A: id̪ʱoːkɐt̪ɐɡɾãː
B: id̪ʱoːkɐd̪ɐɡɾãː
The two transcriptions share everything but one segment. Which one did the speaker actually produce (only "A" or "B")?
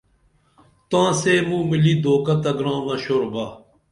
A